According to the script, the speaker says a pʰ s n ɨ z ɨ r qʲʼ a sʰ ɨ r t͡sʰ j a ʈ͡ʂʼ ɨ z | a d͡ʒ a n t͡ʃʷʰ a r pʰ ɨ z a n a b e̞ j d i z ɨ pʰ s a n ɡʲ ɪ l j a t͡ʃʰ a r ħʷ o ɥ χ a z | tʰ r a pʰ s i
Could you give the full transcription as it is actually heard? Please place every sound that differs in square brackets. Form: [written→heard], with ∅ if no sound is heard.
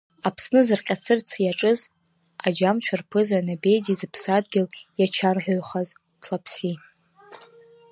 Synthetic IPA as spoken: a pʰ s n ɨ z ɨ r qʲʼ a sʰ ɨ r t͡sʰ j a ʈ͡ʂʼ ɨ z | a d͡ʒ a [n→m] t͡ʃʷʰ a r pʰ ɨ z a n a b e̞ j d i z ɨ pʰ s a [n→d] ɡʲ ɪ l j a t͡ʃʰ a r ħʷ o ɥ χ a z | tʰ [r→l] a pʰ s i